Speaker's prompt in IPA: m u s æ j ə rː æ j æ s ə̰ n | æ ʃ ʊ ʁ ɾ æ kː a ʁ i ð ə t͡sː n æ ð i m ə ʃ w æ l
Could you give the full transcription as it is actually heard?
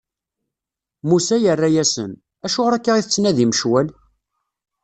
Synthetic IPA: m u s æ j ə rː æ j æ s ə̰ n | æ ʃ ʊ ʁ ɾ æ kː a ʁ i θ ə t͡sː n æ ð i m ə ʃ w æ l